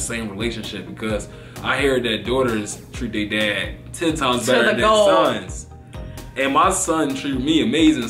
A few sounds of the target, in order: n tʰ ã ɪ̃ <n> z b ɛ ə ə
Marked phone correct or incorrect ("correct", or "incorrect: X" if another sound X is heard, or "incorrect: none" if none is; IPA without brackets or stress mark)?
incorrect: m